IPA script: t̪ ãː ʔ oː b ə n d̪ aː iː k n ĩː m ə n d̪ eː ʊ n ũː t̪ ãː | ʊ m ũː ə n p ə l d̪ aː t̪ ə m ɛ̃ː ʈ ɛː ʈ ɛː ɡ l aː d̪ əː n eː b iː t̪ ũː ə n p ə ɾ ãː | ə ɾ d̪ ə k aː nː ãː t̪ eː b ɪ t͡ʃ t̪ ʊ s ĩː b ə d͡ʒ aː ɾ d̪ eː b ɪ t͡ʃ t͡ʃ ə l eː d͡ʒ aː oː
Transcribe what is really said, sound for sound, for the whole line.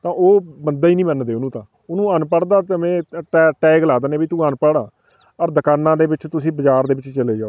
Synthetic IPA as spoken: t̪ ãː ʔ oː b ə n d̪ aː iː n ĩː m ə n d̪ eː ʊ n ũː t̪ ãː | ʊ n ũː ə n p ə ɽ d̪ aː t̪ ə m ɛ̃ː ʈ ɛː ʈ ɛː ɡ l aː d̪ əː n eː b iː t̪ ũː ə n p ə ɽ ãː | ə ɾ d̪ ə k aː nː ãː d̪ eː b ɪ t͡ʃ t̪ ʊ s ĩː b ə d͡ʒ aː ɾ d̪ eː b ɪ t͡ʃ t͡ʃ ə l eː d͡ʒ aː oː

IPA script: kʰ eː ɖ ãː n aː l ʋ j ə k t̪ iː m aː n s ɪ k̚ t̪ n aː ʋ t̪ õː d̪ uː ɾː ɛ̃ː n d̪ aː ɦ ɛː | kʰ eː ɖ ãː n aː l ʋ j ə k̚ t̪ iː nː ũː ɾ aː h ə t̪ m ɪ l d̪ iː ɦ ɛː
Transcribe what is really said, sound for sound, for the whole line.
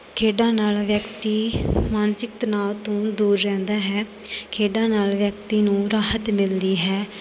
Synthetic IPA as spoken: kʰ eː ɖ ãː n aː l ʋ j ə k t̪ iː m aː n s ɪ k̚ t̪ n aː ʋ t̪ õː d̪ uː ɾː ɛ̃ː n d̪ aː ɦ ɛː | kʰ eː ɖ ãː n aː l ʋ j ə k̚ t̪ iː n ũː ɾ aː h ə t̪ m ɪ l d̪ iː ɦ ɛː

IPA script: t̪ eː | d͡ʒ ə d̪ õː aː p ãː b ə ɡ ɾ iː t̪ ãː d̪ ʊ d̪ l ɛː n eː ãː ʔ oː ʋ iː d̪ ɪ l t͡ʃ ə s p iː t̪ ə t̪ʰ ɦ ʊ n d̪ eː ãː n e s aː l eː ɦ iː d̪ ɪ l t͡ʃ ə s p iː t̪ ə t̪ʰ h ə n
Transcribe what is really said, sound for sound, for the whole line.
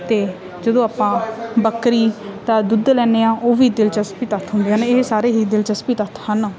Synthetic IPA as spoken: t̪ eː | d͡ʒ ə d̪ õː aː p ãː b ə k ɾ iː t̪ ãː d̪ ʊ d̪ l ɛː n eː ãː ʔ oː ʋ iː d̪ ɪ l t͡ʃ ə s p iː t̪ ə t̪ʰ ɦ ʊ n d̪ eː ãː n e s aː ɾ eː ɦ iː d̪ ɪ l t͡ʃ ə s p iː t̪ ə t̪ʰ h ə n

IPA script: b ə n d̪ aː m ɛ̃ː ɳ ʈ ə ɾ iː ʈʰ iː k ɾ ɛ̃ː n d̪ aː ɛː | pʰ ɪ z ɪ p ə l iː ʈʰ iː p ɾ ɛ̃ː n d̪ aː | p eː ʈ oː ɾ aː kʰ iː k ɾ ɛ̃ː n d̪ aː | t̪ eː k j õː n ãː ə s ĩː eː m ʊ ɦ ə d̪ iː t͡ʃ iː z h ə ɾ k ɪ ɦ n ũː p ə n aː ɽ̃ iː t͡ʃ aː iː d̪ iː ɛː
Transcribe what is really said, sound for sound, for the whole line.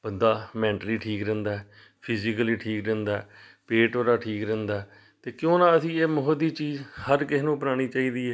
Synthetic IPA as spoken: b ə n d̪ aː m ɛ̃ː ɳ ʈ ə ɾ iː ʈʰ iː k ɾ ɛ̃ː n d̪ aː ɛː | pʰ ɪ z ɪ k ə l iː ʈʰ iː k ɾ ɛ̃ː n d̪ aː | p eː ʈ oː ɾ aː ʈʰ iː k ɾ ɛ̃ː n d̪ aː | t̪ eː k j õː n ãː ə s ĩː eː m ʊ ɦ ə d̪ iː t͡ʃ iː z h ə ɾ k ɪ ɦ n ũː p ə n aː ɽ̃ iː t͡ʃ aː iː d̪ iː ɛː

